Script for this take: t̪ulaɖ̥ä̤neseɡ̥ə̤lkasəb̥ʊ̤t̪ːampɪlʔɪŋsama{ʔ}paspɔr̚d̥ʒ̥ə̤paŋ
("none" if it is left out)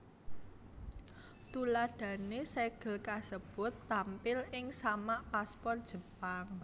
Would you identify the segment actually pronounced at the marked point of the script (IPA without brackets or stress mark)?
ʔ